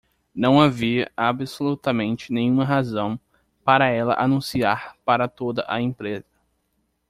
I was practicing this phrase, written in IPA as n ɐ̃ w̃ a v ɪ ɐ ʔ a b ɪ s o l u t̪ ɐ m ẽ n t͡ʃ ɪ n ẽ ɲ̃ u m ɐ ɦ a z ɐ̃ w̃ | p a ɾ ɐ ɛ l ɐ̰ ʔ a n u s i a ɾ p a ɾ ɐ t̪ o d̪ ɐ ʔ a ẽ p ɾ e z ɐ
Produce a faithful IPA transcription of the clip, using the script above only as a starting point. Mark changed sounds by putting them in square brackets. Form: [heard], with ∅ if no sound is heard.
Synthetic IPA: n ɐ̃ w̃ a v [i] ɐ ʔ a b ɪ s o l u t̪ ɐ m ẽ n t͡ʃ ɪ n ẽ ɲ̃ [ũ] m ɐ ɦ a z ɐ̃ w̃ | p a ɾ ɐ ɛ l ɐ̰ ʔ a n [ũ] s i a ɾ p a ɾ ɐ t̪ o d̪ ɐ ʔ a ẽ p ɾ e z ɐ